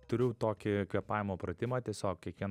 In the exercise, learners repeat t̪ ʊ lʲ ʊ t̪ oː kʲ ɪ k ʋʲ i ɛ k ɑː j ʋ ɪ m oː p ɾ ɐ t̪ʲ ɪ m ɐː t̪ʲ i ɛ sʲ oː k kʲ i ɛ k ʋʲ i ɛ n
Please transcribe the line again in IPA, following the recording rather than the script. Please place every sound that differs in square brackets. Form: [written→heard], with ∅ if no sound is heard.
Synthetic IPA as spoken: t̪ ʊ [lʲ→ɾʲ] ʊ t̪ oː kʲ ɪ k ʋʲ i ɛ [k→p] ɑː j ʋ ɪ m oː p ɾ ɐ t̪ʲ ɪ m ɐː t̪ʲ i ɛ sʲ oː k kʲ i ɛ k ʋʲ i ɛ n